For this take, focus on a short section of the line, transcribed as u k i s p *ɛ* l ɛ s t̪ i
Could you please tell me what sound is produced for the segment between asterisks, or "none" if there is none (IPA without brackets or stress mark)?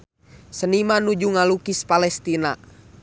a